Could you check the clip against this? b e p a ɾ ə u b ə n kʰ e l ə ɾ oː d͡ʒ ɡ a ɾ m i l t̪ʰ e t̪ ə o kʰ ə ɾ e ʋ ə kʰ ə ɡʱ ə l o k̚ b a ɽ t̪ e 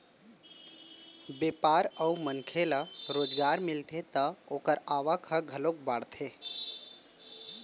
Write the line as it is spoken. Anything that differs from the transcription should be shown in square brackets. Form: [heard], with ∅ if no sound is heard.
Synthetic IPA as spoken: b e p a ɾ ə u [m] ə n kʰ e l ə ɾ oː d͡ʒ ɡ a ɾ m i l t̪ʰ e t̪ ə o [k] ə ɾ [a] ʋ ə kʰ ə ɡʱ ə l o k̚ b a ɽ [t̪ʰ] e

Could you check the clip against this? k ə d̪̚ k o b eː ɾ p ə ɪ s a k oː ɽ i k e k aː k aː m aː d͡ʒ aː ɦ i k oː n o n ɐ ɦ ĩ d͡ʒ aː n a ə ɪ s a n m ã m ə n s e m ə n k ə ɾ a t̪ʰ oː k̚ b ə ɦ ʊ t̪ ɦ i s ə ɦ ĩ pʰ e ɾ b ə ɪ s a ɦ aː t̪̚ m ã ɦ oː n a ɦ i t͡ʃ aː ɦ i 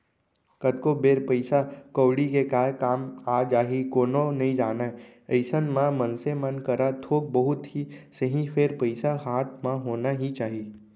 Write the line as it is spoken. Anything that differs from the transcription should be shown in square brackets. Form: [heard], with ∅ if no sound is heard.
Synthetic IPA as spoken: k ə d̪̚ k o b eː ɾ p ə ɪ s a k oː ɽ i k e k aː k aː m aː d͡ʒ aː ɦ i k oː n o n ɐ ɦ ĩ d͡ʒ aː n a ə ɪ s [ə] n m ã m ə n s e m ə n k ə ɾ a t̪ʰ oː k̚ b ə ɦ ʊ t̪ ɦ i s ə ɦ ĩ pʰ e ɾ [p] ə ɪ s a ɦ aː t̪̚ m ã ɦ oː n a ɦ i t͡ʃ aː ɦ i

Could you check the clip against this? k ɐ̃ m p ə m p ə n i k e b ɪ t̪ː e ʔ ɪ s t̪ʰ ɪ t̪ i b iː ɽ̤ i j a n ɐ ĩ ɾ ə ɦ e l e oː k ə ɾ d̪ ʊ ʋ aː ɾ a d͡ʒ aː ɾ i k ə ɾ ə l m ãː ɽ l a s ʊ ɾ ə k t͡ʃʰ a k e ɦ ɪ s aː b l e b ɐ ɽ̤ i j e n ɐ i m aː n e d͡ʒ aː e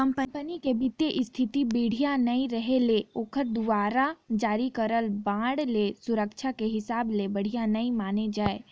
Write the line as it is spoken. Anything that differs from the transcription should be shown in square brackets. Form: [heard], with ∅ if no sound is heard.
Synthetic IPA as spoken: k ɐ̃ m p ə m p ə n i k e b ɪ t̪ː e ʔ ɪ s t̪ʰ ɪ t̪ i b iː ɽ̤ i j a n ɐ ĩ ɾ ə ɦ e l e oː k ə ɾ d̪ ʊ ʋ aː ɾ a d͡ʒ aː ɾ i k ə ɾ ə l [b] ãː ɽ l [e] s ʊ ɾ ə k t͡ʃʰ a k e ɦ ɪ s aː b l e b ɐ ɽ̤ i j [a] n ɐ i m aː n e d͡ʒ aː e

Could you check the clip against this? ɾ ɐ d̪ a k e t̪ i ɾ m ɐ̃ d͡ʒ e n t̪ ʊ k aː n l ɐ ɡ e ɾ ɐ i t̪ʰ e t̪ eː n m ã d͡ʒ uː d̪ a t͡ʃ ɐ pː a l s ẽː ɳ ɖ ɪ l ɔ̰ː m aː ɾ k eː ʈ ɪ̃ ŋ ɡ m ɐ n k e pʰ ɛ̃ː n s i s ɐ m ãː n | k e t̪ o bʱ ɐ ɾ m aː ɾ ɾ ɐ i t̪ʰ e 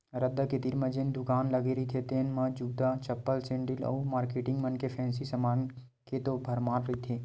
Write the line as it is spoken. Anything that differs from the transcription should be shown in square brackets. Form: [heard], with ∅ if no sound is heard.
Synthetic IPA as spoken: ɾ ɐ d̪ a k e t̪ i ɾ m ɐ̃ d͡ʒ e n [d̪] ʊ k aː n l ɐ ɡ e ɾ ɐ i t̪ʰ e t̪ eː n m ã d͡ʒ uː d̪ a t͡ʃ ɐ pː [ə] l s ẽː ɳ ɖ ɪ l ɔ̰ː m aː ɾ k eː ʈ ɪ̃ ŋ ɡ m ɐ n k e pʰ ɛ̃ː n s i s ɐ m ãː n | k e t̪ o bʱ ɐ ɾ m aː ɾ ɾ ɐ i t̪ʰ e

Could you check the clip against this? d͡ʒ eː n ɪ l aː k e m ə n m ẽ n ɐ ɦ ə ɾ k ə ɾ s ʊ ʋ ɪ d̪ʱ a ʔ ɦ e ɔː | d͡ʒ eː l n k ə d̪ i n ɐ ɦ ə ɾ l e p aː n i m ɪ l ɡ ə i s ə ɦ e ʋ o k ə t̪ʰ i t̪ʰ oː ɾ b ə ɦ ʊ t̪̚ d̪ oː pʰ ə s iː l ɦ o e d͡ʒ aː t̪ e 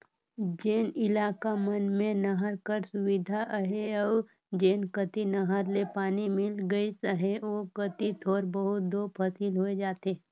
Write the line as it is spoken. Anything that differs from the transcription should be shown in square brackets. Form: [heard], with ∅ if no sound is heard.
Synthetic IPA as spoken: d͡ʒ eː n ɪ l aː k [a] m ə n m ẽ n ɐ ɦ ə ɾ k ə ɾ s ʊ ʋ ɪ d̪ʱ a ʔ ɦ e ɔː | d͡ʒ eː [∅] n k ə [t̪] i n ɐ ɦ ə ɾ l e p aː n i m ɪ l ɡ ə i s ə ɦ e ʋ o k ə [t̪] i t̪ʰ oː ɾ b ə ɦ ʊ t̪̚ d̪ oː pʰ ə s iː l ɦ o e d͡ʒ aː t̪ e

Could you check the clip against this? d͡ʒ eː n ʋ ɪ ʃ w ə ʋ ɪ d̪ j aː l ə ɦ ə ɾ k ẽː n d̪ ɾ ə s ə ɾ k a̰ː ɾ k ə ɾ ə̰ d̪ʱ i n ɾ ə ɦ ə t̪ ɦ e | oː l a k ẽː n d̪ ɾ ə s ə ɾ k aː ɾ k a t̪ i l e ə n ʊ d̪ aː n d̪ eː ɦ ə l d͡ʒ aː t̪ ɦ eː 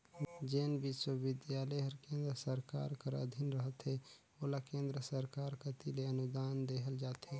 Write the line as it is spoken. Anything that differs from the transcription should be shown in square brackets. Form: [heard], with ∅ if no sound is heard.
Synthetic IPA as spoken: d͡ʒ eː n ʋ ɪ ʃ w ə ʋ ɪ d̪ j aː l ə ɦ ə ɾ k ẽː n d̪ ɾ ə s ə ɾ k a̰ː ɾ k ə ɾ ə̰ d̪ʱ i n ɾ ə ɦ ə t̪ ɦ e | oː l a k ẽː n d̪ ɾ ə s ə ɾ k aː ɾ k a t̪ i l e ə n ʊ d̪ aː n d̪ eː ɦ ə l d͡ʒ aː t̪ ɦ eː

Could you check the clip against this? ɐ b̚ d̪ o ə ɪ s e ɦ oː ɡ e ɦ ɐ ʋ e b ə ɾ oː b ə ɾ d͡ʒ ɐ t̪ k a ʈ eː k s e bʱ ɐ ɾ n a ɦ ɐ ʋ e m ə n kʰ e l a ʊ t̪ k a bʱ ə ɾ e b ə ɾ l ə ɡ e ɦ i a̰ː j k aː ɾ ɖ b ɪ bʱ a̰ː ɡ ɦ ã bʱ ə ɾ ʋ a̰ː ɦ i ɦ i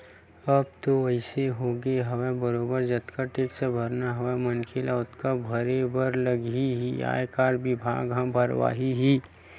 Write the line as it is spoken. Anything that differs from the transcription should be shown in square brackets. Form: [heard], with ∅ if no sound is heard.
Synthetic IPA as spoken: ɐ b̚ [t̪] o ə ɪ s e ɦ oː ɡ e ɦ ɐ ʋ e b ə ɾ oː b ə ɾ d͡ʒ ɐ t̪ k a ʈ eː k s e bʱ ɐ ɾ n a ɦ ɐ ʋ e m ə n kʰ e l a ʊ t̪ k a bʱ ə ɾ e b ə ɾ l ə ɡ [i] ɦ i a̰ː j k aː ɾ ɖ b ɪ bʱ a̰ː ɡ ɦ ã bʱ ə ɾ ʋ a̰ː ɦ i ɦ i

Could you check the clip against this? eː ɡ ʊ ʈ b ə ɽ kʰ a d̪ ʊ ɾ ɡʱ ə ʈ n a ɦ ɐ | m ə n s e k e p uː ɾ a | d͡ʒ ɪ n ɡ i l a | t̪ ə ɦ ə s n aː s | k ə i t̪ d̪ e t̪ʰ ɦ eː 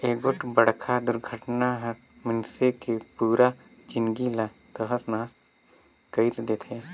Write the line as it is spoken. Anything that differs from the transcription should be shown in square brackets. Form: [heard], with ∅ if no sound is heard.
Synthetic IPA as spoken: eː ɡ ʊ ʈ b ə ɽ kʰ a d̪ ʊ ɾ ɡʱ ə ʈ n a ɦ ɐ | m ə n s e k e p uː ɾ a | d͡ʒ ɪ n ɡ i l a | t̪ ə ɦ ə s n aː s | k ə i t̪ d̪ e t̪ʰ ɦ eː

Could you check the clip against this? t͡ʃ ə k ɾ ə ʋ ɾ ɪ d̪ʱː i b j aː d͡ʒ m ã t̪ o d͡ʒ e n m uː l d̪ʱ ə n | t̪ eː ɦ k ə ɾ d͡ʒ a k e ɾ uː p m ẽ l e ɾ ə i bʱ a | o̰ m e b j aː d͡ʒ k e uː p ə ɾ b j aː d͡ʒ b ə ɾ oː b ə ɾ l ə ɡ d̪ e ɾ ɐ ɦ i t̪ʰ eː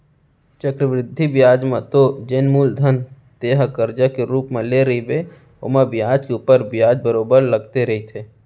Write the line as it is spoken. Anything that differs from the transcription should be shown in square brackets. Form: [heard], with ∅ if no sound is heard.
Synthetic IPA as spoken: t͡ʃ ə k ɾ ə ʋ ɾ ɪ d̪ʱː i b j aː d͡ʒ m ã t̪ o d͡ʒ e n m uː l d̪ʱ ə n | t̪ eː ɦ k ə ɾ d͡ʒ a k e ɾ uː p m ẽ l e ɾ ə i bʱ [e] | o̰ m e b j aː d͡ʒ k e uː p ə ɾ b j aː d͡ʒ b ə ɾ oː b ə ɾ l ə ɡ [t̪] e ɾ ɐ ɦ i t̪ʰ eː

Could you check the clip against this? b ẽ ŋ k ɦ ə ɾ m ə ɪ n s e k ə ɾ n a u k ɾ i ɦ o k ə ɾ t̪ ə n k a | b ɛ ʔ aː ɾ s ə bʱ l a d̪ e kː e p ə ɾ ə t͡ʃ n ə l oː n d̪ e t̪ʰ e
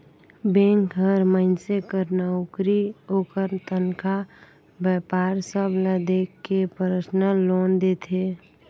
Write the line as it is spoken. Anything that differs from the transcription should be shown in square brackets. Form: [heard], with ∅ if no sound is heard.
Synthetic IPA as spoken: b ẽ ŋ k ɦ ə ɾ m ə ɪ n s e k ə ɾ n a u k ɾ i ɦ o k ə ɾ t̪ ə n k a | b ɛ [p] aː ɾ s ə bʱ l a d̪ e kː e p ə ɾ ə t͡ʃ n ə l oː n d̪ e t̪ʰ e

